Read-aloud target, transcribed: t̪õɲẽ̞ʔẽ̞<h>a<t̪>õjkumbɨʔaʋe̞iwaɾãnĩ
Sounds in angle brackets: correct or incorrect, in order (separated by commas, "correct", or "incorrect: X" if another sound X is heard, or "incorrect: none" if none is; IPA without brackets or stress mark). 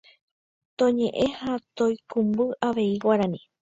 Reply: correct, correct